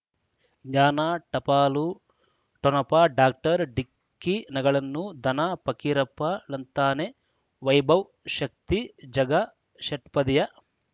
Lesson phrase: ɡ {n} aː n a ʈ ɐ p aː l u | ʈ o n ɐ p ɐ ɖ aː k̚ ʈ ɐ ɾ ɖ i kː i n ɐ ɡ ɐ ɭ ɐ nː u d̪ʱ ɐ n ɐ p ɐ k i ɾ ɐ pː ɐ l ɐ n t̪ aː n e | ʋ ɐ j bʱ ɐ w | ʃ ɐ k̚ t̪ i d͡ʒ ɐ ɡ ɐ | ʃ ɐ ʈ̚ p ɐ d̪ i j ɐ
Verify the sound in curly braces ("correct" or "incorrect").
incorrect